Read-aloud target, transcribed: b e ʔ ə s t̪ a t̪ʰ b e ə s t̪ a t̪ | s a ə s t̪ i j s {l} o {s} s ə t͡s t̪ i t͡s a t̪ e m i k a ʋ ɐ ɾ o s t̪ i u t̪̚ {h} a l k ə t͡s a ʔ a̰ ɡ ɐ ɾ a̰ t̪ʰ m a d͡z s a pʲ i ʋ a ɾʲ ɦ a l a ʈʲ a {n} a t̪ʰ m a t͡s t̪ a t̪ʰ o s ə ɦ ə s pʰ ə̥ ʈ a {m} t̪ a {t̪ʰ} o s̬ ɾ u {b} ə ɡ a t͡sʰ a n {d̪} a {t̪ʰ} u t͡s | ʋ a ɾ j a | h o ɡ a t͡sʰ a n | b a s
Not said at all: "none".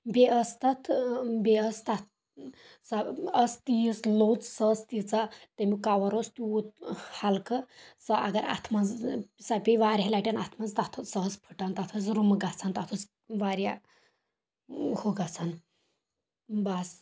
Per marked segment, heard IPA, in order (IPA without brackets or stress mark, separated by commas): l, t͡s, h, n, n, t̪ʰ, m, t̪, t̪ʰ